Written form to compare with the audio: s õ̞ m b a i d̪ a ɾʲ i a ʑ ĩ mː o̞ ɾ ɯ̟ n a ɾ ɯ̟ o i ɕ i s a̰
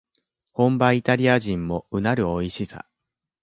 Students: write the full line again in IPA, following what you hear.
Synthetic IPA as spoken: h õ̞ m b a i t̪ a ɾʲ i a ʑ ĩ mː o̞ ɯ̟ n a ɾ ɯ̟ o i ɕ i s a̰